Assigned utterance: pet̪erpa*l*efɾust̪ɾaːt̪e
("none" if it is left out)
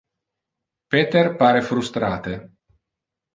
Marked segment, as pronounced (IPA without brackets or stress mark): ɾ